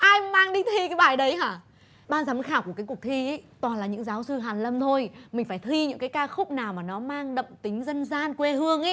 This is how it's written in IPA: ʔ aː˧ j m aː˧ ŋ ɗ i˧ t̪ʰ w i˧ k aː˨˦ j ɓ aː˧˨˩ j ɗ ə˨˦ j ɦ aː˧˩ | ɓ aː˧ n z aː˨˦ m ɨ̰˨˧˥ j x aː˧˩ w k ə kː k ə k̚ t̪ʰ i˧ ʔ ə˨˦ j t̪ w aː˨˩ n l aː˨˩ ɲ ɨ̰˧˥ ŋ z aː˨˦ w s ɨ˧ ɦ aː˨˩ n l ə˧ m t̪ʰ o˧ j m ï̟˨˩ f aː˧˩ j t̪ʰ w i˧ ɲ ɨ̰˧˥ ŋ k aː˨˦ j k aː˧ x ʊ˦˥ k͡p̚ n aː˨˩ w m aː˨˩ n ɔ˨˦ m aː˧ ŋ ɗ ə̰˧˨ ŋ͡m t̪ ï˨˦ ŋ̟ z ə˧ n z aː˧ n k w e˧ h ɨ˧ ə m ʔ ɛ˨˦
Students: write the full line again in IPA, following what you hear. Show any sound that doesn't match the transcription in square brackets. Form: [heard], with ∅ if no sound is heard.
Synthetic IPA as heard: ʔ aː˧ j m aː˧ ŋ ɗ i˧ t̪ʰ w i˧ k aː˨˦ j ɓ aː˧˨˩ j ɗ ə˨˦ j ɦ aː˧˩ | ɓ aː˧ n z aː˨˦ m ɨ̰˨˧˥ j x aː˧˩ w k ə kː k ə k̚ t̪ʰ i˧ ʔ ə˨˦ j t̪ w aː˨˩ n l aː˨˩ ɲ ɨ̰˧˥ ŋ z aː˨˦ w s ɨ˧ ɦ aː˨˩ n l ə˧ m t̪ʰ o˧ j m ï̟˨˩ f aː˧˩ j t̪ʰ w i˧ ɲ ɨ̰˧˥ ŋ k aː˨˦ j k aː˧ x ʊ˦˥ k͡p̚ n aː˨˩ w m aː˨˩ n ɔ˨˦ m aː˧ ŋ ɗ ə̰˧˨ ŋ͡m t̪ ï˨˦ ŋ̟ z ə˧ n z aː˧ n k w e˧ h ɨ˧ ə [ŋ] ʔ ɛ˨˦